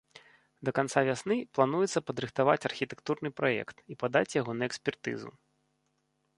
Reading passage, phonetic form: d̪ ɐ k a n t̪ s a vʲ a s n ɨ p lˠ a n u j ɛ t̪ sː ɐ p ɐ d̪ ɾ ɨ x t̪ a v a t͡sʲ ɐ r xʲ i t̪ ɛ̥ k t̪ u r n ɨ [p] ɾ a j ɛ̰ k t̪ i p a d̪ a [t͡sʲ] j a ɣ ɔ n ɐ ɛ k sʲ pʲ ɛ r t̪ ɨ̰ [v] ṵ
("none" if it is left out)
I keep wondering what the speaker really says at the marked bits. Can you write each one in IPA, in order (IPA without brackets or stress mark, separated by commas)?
p, t͡sʲ, z